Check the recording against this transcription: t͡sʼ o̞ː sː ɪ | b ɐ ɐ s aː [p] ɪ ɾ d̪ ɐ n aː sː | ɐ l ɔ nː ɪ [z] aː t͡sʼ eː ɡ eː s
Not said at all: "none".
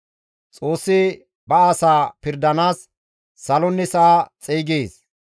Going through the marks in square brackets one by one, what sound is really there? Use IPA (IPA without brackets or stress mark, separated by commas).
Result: p, s